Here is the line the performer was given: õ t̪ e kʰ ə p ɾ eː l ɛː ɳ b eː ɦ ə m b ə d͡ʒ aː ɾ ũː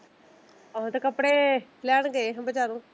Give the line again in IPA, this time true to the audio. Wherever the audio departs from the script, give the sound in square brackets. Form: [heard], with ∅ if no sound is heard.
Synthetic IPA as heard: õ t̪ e [k] ə p [ɽ] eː l ɛː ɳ [ɡ] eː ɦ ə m b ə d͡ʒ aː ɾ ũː